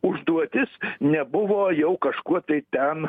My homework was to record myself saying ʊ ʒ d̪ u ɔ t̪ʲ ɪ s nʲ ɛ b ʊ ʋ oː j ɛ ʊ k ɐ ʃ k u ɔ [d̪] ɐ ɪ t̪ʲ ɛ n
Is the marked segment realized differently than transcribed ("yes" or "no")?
yes